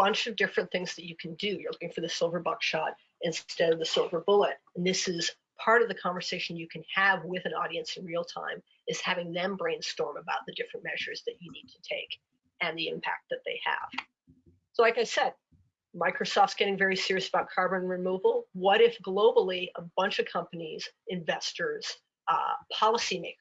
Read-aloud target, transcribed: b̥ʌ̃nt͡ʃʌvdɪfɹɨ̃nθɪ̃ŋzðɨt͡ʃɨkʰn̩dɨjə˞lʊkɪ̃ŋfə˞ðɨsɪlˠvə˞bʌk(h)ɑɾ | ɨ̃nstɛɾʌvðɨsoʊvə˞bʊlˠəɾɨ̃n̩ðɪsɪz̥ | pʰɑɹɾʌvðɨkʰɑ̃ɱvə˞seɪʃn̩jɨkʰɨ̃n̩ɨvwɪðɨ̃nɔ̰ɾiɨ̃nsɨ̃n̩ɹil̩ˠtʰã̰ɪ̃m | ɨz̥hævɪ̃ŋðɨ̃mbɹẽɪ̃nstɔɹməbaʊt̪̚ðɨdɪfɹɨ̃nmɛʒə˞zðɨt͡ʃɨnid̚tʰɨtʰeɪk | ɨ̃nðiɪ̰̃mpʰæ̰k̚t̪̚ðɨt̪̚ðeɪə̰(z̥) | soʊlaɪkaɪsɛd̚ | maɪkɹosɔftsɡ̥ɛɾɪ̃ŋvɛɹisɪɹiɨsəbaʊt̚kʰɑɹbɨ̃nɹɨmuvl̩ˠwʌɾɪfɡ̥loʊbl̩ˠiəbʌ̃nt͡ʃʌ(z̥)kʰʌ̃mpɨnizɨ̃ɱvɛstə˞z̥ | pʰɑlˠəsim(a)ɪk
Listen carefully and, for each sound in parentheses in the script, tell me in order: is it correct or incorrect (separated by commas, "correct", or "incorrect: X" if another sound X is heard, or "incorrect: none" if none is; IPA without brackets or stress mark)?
incorrect: ʃ, incorrect: v̥, incorrect: v̥, incorrect: e